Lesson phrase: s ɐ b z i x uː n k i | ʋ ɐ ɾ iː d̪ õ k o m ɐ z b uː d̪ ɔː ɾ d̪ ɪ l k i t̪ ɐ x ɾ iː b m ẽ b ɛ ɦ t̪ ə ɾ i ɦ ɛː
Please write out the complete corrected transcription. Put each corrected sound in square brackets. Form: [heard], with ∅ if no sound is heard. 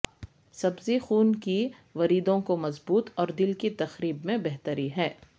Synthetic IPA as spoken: s ɐ b z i x uː n k i | ʋ ɐ ɾ iː d̪ õ k o m ɐ z b uː [t̪] ɔː ɾ d̪ ɪ l k i t̪ ɐ x ɾ iː b m ẽ b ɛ ɦ t̪ ə ɾ i ɦ ɛː